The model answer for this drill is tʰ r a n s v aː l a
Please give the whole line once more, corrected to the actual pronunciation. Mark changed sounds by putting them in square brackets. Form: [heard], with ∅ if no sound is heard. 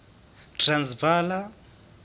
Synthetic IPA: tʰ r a n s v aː l a